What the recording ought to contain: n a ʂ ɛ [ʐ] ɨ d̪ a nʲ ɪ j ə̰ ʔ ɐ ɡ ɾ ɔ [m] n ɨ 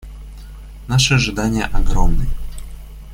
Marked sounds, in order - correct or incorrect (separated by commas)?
correct, correct